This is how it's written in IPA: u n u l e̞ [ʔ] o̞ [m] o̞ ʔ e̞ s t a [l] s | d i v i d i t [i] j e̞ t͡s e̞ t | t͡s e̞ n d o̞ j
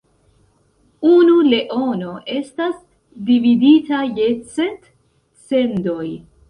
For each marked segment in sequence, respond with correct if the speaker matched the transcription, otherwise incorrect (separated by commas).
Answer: correct, incorrect, incorrect, incorrect